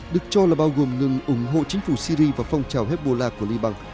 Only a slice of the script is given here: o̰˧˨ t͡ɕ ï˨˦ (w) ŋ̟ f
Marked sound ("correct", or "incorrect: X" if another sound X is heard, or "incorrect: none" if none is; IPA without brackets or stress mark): incorrect: none